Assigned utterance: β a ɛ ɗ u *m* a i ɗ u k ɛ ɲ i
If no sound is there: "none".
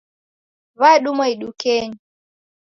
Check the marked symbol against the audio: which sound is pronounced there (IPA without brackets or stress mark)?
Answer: m